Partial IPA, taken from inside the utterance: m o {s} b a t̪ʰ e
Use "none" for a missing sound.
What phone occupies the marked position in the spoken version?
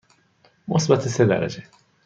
s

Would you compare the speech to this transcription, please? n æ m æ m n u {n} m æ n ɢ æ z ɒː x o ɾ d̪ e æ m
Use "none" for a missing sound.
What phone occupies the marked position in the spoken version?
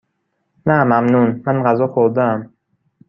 n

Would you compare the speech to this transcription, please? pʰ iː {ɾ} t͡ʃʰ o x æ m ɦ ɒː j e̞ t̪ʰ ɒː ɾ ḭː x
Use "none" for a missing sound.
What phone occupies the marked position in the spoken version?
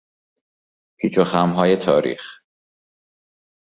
none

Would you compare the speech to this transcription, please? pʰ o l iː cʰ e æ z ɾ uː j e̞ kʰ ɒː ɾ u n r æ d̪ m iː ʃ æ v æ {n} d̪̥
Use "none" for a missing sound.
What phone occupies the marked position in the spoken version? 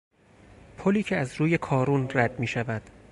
none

